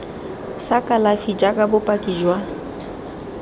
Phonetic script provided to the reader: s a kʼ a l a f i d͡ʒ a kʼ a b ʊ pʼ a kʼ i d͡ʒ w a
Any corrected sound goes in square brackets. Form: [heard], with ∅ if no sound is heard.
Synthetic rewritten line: s a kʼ a l a f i d͡ʒ a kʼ a b ʊ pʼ a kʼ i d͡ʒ w a